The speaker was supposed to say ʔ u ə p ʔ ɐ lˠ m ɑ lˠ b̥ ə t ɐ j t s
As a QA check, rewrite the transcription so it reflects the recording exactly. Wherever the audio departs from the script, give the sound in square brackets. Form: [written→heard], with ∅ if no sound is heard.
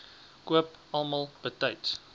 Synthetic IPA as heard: [ʔ→k] u ə p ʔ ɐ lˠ m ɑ lˠ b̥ ə t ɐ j t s